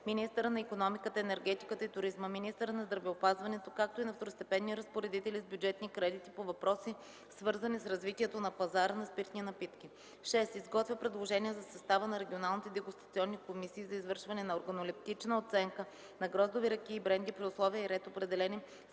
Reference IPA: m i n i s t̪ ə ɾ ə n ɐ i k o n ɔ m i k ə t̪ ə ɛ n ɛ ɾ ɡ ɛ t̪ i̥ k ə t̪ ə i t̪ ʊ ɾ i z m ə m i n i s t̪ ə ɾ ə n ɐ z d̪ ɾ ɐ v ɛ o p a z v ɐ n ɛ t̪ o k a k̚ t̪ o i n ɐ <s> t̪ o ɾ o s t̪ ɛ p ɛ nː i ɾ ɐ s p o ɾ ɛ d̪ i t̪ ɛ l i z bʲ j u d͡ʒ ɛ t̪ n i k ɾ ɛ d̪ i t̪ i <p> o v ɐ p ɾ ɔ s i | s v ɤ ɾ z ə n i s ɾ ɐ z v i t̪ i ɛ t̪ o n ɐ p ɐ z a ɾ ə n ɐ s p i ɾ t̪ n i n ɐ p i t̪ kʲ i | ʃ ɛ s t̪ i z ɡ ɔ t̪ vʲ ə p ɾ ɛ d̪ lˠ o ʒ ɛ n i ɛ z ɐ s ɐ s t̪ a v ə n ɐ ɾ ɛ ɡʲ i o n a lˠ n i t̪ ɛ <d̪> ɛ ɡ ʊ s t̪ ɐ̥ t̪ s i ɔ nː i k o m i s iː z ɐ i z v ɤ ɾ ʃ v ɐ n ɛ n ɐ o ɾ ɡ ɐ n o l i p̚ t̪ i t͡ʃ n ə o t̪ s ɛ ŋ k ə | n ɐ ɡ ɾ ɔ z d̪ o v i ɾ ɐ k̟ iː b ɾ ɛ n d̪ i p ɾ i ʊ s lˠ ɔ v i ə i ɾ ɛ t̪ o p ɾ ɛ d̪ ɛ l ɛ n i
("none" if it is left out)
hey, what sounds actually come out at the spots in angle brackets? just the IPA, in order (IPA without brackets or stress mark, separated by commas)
f, p, d̪